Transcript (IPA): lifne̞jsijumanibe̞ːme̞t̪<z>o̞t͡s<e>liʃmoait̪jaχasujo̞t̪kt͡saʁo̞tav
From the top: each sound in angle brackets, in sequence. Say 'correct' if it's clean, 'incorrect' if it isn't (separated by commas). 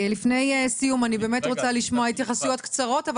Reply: incorrect, incorrect